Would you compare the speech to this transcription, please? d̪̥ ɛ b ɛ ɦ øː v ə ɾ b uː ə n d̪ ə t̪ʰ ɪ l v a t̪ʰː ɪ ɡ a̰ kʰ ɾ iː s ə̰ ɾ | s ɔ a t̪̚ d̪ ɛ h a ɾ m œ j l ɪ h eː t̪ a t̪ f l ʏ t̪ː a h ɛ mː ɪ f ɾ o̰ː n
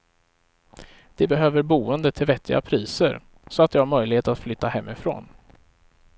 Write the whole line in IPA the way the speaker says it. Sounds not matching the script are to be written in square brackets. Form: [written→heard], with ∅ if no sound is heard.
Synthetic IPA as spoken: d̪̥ ɛ b ɛ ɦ øː v ə ɾ b uː ə n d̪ ə t̪ʰ ɪ l v [a→ɛ] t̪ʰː ɪ ɡ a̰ [kʰ→pʰ] ɾ iː s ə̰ ɾ | s ɔ a t̪̚ d̪ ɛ h a ɾ m œ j l ɪ h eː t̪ a t̪ f l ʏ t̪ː a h ɛ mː ɪ f ɾ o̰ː n